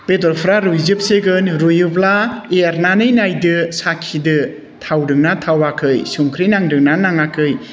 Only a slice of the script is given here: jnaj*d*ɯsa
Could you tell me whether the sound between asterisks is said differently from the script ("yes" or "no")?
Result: no